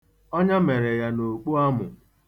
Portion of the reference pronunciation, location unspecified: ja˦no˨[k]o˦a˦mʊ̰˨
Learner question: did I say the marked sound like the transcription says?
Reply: no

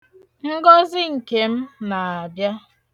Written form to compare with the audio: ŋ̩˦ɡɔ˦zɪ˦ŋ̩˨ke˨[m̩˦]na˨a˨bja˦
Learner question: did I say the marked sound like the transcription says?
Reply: yes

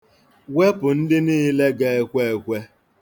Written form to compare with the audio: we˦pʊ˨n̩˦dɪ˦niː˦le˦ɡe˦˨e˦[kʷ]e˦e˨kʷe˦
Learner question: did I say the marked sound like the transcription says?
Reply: yes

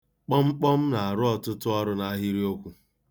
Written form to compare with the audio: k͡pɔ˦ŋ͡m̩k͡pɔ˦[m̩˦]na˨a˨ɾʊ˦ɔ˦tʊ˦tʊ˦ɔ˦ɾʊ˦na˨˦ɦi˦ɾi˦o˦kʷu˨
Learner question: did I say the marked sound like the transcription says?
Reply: yes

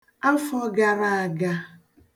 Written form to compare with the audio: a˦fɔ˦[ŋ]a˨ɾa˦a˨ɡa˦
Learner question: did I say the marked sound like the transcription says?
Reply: no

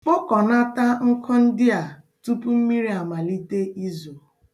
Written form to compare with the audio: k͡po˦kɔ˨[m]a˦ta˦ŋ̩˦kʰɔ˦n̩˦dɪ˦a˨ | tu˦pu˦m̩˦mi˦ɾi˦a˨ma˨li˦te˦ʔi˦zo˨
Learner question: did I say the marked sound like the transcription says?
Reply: no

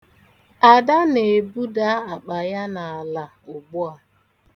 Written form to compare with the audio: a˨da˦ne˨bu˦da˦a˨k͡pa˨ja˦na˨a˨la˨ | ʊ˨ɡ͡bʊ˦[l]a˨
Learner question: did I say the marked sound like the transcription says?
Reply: no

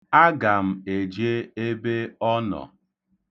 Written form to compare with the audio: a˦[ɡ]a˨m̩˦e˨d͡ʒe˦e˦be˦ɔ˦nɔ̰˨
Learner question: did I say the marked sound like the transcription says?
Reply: yes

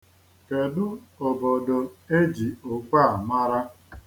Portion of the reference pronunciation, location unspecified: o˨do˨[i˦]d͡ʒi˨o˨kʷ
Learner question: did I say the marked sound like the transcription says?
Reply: no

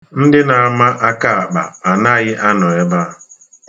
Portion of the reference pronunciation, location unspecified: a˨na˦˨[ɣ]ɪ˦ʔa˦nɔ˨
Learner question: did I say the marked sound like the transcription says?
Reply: yes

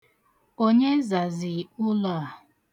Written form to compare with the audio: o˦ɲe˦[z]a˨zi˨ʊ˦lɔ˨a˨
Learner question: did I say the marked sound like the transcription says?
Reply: yes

